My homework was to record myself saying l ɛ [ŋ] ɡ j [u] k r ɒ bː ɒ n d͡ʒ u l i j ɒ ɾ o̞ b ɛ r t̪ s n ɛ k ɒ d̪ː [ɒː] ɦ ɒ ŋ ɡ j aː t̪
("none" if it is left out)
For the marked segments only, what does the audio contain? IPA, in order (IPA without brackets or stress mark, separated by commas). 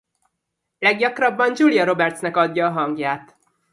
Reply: none, ɒ, ɒː